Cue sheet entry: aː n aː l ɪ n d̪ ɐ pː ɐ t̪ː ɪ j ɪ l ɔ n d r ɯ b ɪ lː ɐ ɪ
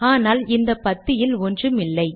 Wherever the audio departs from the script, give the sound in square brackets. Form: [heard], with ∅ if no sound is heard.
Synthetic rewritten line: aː n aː l ɪ n d̪ ɐ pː ɐ t̪ː ɪ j ɪ l ɔ n d r ɯ [m] ɪ lː ɐ ɪ

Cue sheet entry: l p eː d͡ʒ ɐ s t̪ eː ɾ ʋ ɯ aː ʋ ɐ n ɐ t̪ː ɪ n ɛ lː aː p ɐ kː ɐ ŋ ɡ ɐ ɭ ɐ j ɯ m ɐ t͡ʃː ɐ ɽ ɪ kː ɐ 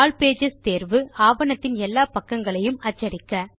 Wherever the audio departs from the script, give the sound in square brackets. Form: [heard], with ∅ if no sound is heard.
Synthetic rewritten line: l p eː d͡ʒ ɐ s t̪ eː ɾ ʋ ɯ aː ʋ ɐ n ɐ t̪ː ɪ n ɛ lː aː p ɐ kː ɐ ŋ ɡ ɐ ɭ ɐ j ɯ m ɐ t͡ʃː ɐ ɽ ɪ kː ɐ

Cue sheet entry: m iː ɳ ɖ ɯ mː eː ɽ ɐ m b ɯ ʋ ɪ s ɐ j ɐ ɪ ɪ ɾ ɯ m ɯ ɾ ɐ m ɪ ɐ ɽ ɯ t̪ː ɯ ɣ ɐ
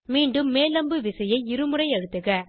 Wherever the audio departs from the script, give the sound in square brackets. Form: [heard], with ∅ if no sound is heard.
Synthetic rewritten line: m iː ɳ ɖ ɯ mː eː [l] ɐ m b ɯ ʋ ɪ s ɐ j ɐ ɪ ɪ ɾ ɯ m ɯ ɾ ɐ [∅] ɪ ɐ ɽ ɯ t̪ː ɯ ɣ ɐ

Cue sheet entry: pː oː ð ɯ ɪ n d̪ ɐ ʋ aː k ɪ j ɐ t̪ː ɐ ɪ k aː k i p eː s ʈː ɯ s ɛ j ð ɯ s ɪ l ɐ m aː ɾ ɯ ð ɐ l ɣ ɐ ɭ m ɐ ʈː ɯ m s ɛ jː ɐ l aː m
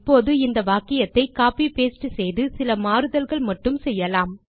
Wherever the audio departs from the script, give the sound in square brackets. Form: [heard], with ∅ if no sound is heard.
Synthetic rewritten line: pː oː ð ɯ ɪ n d̪ ɐ ʋ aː k ɪ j ɐ t̪ː ɐ ɪ k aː [p] i p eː s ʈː ɯ s ɛ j ð ɯ s ɪ l ɐ m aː ɾ ɯ ð ɐ l ɣ ɐ ɭ m ɐ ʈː ɯ m s ɛ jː ɐ l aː m

